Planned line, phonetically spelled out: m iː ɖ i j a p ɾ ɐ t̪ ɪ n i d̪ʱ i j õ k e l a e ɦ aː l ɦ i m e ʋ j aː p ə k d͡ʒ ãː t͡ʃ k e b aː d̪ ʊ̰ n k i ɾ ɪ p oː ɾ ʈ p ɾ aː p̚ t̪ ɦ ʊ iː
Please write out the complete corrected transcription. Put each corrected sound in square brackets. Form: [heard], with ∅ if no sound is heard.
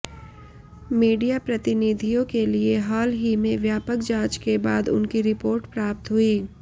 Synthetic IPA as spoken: m iː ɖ i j a p ɾ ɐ t̪ ɪ n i d̪ʱ i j õ k e l [i] e ɦ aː l ɦ i m [ẽ] ʋ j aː p ə k d͡ʒ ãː t͡ʃ k e b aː d̪ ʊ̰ n k i ɾ ɪ p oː ɾ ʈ p ɾ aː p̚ t̪ ɦ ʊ iː